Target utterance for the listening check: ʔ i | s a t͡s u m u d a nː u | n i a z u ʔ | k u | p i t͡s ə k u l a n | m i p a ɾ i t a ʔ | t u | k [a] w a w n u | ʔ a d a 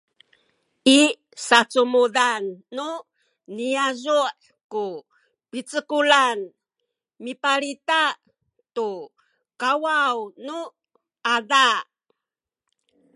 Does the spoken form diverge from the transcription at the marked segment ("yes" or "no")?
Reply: no